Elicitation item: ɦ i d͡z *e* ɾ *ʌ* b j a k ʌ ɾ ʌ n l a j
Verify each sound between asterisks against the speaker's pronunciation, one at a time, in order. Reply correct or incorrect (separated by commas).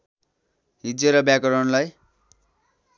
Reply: correct, correct